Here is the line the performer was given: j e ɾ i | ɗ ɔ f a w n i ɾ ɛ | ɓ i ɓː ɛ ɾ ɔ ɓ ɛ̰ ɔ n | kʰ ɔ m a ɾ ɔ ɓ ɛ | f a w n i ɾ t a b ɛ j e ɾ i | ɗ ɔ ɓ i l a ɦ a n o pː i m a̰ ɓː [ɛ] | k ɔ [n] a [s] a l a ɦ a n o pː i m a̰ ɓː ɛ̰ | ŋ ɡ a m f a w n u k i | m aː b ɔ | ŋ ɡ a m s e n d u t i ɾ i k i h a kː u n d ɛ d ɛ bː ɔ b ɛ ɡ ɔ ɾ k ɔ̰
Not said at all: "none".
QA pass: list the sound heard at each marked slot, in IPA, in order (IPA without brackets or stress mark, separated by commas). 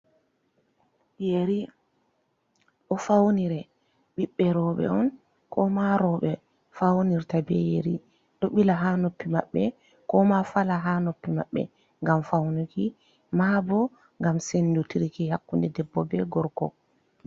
ɛ, m, f